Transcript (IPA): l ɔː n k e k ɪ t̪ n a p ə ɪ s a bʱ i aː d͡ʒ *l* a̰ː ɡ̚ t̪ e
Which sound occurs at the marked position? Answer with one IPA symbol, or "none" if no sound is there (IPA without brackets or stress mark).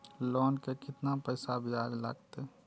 l